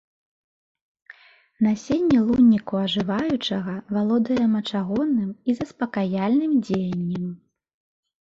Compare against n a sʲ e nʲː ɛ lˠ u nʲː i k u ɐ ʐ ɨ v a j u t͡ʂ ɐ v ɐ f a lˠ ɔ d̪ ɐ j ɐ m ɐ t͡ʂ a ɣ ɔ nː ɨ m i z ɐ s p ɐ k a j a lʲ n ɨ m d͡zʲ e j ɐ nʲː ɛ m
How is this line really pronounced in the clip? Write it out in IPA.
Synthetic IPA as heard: n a sʲ e nʲː ɛ lˠ u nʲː i k u ɐ ʐ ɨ v a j u t͡ʂ ɐ ɣ ɐ v a lˠ ɔ d̪ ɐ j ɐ m ɐ t͡ʂ a ɣ ɔ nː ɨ m i z ɐ s p ɐ k a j a lʲ n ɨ m d͡zʲ e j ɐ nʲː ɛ m